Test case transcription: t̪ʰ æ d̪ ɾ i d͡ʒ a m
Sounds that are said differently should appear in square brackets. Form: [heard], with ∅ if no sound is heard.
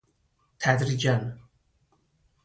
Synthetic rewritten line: t̪ʰ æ d̪ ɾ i d͡ʒ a [n]